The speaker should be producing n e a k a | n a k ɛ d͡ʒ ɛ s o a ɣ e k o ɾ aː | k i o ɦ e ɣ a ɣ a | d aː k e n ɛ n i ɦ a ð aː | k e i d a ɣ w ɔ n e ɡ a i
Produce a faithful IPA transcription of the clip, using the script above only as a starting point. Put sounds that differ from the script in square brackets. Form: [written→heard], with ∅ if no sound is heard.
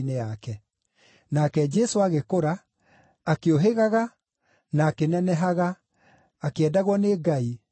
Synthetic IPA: n e a k [a→ɛ] | n a k ɛ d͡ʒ ɛ s o a ɣ e k o ɾ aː | k [i→e] o ɦ e ɣ a ɣ a | [d→n] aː k e n ɛ n [i→ɛ] ɦ a [ð→ɣ] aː | k e [i→ɛ] d a ɣ w ɔ n e ɡ a i

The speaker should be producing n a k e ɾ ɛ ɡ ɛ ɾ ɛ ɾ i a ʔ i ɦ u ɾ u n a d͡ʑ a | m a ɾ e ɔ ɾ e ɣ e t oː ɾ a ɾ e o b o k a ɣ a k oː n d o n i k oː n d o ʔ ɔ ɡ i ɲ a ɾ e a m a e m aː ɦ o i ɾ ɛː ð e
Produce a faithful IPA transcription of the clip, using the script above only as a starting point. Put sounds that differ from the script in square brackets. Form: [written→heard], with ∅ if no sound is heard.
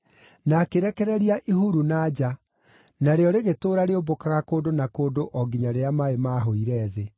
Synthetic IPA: n a k e ɾ ɛ [ɡ→k] ɛ ɾ ɛ ɾ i a ʔ i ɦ u ɾ u n a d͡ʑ a | [m→n] a ɾ e ɔ ɾ e ɣ e t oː ɾ a ɾ e o b o k a ɣ a k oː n d o n [i→a] k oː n d o ʔ ɔ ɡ i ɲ a ɾ e a m a e m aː ɦ o i ɾ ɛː ð e

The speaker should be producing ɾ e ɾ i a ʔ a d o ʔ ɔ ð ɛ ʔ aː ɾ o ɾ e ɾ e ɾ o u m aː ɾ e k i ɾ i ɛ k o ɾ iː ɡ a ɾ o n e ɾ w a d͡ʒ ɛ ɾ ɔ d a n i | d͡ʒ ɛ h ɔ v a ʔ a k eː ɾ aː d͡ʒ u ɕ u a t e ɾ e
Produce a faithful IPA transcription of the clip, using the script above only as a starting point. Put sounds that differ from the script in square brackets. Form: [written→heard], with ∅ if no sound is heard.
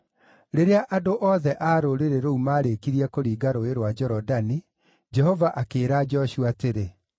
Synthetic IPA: ɾ e ɾ [i→e] a ʔ a d o ʔ ɔ ð ɛ ʔ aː ɾ o ɾ e ɾ e ɾ o u m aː ɾ e k i ɾ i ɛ k o ɾ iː ɡ a ɾ o [n→∅] e ɾ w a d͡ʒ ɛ ɾ ɔ d a n i | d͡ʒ ɛ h ɔ v a ʔ a k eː ɾ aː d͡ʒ [u→ɔ] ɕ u a t e ɾ e

